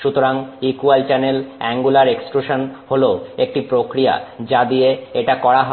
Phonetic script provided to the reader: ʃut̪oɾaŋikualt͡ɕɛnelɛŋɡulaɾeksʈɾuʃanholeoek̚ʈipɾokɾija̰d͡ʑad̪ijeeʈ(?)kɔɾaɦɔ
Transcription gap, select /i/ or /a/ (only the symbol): a